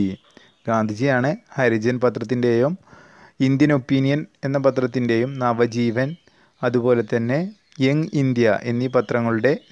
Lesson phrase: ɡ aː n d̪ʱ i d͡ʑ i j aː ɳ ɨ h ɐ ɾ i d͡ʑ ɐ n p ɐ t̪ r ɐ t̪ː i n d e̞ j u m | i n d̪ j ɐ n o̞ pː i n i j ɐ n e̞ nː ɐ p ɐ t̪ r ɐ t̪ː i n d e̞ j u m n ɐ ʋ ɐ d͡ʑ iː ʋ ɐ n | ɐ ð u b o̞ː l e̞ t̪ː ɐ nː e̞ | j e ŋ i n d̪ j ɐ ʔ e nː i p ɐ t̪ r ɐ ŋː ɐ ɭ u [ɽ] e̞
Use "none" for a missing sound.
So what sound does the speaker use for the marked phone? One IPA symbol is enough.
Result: ɽ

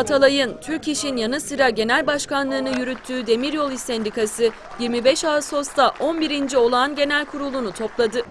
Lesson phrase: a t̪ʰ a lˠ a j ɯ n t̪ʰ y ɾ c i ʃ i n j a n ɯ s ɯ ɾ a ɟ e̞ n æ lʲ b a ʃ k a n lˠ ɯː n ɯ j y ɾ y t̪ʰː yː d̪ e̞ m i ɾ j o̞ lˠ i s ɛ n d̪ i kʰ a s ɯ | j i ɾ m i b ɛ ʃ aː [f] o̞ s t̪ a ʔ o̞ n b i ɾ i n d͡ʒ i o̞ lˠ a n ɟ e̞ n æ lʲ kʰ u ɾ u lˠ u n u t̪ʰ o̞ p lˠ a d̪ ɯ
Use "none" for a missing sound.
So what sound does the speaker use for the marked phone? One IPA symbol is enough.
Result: s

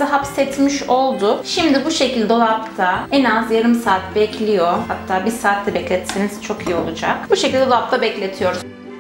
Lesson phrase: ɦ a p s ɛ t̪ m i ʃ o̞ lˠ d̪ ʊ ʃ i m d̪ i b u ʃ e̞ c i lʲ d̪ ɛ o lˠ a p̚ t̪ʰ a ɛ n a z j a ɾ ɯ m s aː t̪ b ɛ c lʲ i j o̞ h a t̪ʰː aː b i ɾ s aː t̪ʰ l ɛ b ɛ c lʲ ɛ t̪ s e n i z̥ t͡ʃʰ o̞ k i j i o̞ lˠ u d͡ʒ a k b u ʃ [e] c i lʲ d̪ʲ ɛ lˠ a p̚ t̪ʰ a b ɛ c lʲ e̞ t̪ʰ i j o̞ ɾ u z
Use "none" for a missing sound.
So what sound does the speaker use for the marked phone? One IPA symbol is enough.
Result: e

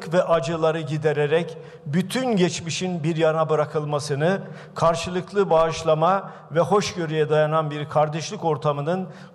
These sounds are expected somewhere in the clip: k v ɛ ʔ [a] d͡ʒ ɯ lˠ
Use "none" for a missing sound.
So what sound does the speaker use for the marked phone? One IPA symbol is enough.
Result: a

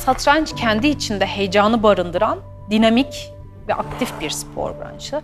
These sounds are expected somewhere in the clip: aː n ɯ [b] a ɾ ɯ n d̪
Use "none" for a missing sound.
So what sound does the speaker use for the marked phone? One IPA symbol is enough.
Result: b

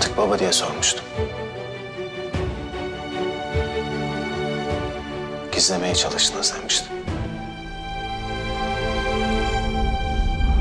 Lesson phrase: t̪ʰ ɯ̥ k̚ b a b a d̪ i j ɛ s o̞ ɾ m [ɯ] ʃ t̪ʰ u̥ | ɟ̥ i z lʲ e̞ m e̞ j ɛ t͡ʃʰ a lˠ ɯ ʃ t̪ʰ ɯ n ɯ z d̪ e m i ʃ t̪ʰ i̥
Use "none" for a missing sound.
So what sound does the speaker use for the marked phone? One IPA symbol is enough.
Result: u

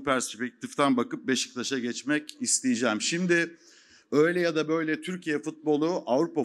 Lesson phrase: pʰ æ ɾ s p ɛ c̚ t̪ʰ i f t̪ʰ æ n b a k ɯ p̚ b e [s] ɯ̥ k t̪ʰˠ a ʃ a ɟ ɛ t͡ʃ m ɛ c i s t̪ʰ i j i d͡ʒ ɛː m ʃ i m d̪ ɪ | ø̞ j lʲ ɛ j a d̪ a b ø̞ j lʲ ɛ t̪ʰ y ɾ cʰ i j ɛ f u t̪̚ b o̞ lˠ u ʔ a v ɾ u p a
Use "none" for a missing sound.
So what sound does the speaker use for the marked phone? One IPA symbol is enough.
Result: ʃ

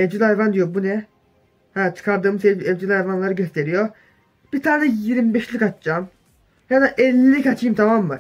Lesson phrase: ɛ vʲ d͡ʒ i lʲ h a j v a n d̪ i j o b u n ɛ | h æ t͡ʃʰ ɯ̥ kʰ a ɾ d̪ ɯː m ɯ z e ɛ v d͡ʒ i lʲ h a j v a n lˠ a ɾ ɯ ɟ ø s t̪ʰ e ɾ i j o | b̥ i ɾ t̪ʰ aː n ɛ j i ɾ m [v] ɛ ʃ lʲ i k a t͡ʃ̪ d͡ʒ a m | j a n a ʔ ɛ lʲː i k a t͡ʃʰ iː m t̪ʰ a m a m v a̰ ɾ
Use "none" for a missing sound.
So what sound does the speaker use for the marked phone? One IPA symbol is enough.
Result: b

